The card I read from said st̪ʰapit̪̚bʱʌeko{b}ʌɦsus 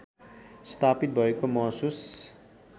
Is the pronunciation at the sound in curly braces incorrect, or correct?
incorrect: m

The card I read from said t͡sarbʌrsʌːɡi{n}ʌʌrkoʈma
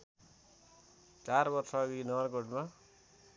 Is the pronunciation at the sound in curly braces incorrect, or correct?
correct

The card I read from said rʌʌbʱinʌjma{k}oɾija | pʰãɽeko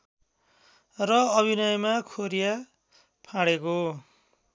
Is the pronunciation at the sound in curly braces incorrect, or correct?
incorrect: kʰ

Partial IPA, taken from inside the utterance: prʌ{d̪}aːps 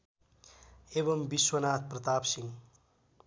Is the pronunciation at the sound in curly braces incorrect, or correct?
incorrect: t̪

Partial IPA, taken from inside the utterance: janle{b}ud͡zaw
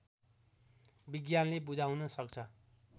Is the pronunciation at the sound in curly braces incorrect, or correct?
correct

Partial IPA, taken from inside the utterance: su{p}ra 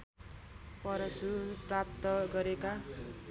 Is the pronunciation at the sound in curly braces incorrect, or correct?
correct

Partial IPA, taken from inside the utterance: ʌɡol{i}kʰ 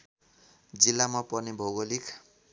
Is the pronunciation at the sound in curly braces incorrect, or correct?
correct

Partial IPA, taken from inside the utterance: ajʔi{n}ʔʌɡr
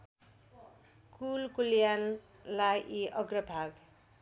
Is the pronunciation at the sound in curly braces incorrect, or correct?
incorrect: none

